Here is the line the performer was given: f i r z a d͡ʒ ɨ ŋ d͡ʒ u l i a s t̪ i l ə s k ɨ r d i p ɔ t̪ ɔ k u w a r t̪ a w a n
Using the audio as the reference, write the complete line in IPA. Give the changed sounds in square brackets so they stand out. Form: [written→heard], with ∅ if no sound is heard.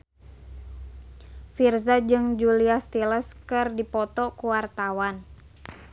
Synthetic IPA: f i r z a d͡ʒ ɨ ŋ d͡ʒ u l i a s t̪ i l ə s k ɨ r d i p ɔ t̪ ɔ k u w a r t̪ a w a n

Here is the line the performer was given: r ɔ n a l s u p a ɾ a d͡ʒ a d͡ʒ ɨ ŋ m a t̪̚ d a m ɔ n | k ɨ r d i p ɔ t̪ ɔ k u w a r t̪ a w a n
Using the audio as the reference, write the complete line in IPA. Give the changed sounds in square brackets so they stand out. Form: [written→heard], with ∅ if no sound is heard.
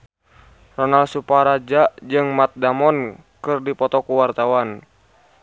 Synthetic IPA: r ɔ n a l s u p a ɾ a d͡ʒ a d͡ʒ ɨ ŋ m a t̪̚ d a m ɔ n | k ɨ r d i p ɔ t̪ ɔ k u w a r t̪ a w a n

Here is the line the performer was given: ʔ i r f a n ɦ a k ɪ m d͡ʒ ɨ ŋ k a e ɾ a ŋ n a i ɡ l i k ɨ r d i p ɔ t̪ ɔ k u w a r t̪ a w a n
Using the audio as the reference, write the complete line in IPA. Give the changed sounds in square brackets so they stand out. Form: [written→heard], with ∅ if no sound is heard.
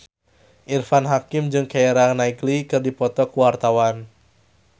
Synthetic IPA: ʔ i r f a n ɦ a k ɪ m d͡ʒ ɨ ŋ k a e ɾ a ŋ n a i ɡ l i k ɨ r d i p ɔ t̪ ɔ k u w a r t̪ a w a n

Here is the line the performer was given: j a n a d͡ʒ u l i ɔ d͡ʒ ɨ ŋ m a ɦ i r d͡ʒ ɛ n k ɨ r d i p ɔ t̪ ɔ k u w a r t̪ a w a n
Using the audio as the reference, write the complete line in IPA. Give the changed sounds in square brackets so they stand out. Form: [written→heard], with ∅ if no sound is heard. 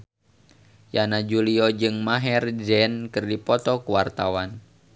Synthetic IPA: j a n a d͡ʒ u l i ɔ d͡ʒ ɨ ŋ m a ɦ [i→ɛ] r d͡ʒ ɛ n k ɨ r d i p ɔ t̪ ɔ k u w a r t̪ a w a n

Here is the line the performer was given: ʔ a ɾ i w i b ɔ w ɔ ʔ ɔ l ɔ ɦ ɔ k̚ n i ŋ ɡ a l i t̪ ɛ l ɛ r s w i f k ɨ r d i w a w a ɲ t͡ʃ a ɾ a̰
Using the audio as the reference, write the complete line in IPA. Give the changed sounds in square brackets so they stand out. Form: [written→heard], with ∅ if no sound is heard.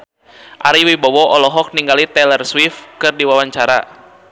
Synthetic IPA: ʔ a ɾ i w i b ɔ w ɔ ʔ ɔ l ɔ ɦ ɔ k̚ n i ŋ ɡ a l i t̪ ɛ l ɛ r s w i f k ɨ r d i w a w a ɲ t͡ʃ a ɾ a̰

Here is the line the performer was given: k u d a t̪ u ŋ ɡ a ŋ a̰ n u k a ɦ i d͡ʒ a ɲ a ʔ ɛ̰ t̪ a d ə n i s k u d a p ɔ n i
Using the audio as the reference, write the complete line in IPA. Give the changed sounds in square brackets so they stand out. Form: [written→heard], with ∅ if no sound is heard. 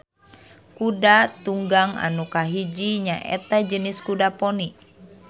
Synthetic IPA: k u d a t̪ u ŋ ɡ a ŋ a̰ n u k a ɦ i d͡ʒ [a→i] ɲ a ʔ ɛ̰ t̪ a [d→d͡ʒ] ə n i s k u d a p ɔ n i

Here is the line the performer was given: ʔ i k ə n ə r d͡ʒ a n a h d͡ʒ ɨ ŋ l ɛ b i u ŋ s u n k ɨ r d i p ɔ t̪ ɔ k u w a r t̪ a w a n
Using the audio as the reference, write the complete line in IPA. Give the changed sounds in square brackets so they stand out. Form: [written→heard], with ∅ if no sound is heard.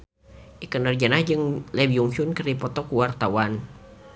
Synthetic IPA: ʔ i k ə n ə r d͡ʒ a n a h d͡ʒ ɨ ŋ l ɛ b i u ŋ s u n k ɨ r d i p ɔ t̪ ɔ k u w a r t̪ a w a n

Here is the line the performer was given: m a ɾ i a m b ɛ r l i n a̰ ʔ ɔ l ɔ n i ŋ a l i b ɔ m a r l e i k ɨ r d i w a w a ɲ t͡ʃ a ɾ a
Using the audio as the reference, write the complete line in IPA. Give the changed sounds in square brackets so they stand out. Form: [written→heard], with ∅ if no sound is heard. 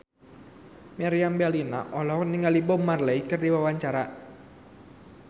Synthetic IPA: m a ɾ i a m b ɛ [r→∅] l i n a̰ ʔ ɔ l ɔ n i ŋ a l i b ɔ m a r l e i k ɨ r d i w a w a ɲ t͡ʃ a ɾ a

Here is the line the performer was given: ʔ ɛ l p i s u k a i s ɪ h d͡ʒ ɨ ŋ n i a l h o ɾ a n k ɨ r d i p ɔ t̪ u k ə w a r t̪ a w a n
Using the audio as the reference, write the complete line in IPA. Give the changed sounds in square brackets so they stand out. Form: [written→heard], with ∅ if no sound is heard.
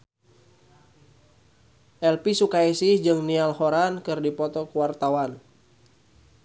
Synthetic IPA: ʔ ɛ l p i s u k a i s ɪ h d͡ʒ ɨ ŋ n i a l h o ɾ a n k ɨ r d i p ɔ t̪ [u→ɔ] k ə w a r t̪ a w a n

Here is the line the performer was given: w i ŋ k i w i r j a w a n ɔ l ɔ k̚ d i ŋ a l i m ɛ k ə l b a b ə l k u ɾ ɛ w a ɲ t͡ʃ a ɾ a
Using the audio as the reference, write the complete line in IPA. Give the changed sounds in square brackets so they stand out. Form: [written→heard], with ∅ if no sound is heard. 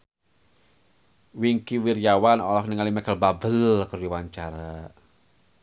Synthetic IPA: w i ŋ k i w i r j a w a n ɔ l ɔ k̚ [d→n] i ŋ a l i m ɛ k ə l b a b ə l k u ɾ [ɛ→i] w a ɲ t͡ʃ a ɾ a

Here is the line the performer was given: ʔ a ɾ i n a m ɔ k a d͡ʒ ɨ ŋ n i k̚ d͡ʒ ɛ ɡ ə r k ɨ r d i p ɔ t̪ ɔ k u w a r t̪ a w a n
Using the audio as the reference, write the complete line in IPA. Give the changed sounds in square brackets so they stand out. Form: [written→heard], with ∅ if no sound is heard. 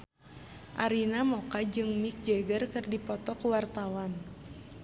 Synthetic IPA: ʔ a ɾ i n a m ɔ k a d͡ʒ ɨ ŋ [n→m] i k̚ d͡ʒ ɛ ɡ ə r k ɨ r d i p ɔ t̪ ɔ k u w a r t̪ a w a n

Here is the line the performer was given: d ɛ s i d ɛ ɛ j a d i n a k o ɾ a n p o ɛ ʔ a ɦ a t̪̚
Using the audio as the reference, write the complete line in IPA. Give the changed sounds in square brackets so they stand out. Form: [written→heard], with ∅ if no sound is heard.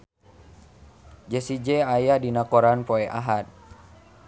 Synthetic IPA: [d→d͡ʒ] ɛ s i [d→d͡ʒ] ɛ [ɛ→a] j a d i n a k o ɾ a n p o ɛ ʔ a ɦ a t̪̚

